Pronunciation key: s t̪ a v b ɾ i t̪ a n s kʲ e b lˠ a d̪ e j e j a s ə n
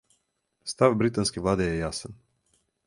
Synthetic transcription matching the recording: s t̪ a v b ɾ i t̪ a n s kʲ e v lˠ a d̪ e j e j a s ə n